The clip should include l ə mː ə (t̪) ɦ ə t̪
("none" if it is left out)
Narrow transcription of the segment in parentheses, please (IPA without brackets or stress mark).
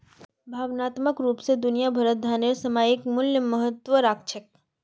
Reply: none